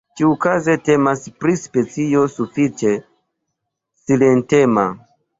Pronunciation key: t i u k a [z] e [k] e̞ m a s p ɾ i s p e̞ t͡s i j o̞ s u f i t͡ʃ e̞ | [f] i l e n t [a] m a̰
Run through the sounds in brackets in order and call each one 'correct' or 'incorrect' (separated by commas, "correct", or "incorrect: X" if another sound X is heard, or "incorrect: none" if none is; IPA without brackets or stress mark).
correct, incorrect: t, incorrect: s, incorrect: e